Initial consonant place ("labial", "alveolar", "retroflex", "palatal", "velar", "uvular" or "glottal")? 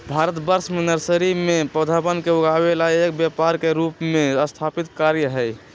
labial